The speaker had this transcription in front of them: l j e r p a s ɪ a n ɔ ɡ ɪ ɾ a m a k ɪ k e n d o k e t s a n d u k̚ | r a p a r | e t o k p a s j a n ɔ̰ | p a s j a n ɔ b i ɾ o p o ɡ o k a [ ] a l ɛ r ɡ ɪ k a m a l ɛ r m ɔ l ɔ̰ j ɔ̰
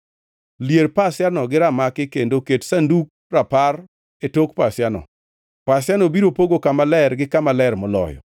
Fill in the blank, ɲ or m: m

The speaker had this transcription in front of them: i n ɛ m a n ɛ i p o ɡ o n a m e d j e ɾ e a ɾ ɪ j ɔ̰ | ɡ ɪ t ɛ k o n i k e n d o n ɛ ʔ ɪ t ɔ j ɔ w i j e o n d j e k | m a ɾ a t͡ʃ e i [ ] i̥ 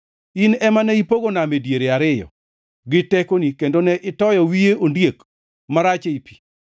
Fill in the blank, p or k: p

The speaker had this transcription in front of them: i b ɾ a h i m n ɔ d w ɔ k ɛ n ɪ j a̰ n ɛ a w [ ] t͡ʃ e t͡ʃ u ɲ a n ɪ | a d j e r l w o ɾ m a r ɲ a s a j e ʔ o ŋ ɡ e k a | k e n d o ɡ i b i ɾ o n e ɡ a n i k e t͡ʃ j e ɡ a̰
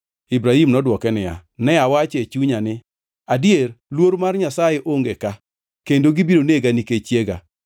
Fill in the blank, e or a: a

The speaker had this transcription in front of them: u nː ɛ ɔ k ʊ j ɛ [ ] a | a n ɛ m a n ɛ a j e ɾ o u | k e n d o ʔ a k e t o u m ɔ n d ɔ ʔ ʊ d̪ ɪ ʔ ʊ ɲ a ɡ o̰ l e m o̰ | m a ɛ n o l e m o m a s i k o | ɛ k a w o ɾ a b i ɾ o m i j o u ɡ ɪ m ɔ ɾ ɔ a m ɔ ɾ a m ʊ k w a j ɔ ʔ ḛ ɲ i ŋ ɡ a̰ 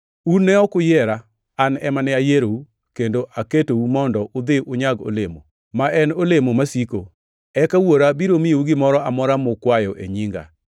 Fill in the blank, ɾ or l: ɾ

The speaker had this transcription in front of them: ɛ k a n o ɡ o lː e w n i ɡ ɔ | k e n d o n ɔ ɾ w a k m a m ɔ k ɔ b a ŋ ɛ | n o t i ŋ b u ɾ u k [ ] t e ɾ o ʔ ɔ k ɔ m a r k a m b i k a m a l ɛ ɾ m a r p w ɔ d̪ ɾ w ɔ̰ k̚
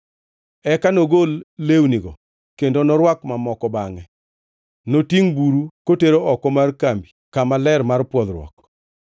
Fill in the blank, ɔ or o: o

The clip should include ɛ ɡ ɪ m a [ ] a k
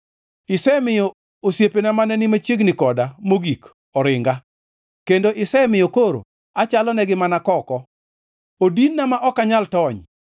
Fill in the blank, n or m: n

